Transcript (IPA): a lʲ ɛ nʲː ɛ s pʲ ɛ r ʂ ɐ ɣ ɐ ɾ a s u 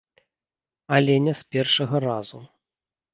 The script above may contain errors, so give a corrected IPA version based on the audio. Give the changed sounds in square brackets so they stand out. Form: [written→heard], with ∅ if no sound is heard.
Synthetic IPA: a lʲ ɛ [nʲː→nʲ] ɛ s pʲ ɛ r ʂ ɐ ɣ ɐ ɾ a [s→z] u